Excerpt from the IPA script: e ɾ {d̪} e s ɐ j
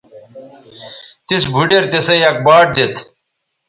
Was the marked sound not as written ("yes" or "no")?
yes